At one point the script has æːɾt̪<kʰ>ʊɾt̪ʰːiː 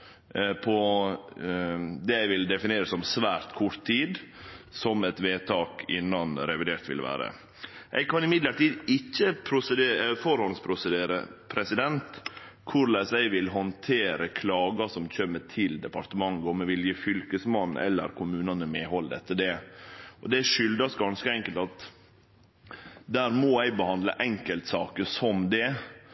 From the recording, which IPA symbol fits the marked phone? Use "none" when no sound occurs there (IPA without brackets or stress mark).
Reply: kʰ